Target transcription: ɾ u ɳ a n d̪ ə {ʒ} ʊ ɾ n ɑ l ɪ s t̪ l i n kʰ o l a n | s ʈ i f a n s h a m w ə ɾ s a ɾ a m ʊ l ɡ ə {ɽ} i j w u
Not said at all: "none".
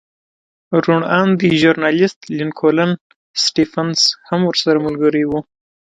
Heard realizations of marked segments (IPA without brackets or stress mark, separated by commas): ʒ, ɾ